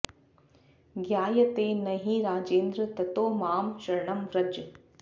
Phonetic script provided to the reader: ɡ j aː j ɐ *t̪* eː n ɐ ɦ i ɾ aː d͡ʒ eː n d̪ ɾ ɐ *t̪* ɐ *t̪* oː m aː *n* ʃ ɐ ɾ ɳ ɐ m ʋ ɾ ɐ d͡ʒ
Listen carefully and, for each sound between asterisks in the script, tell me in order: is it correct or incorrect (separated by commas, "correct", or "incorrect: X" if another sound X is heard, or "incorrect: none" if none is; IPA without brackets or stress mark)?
correct, correct, correct, incorrect: m